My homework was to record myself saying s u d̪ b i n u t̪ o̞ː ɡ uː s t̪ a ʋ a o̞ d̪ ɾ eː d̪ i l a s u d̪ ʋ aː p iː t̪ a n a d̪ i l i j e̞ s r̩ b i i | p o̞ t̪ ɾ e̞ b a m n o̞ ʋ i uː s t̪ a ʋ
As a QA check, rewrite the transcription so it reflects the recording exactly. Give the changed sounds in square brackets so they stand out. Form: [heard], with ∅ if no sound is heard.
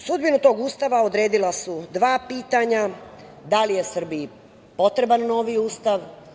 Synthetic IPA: s u d̪ b i n u t̪ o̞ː ɡ uː s t̪ a ʋ a o̞ d̪ ɾ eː d̪ i l a s u d̪ ʋ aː p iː t̪ a [ɲ] a d̪ [a] l i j e̞ s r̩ b i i | p o̞ t̪ ɾ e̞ b a [n] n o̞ ʋ i uː s t̪ a ʋ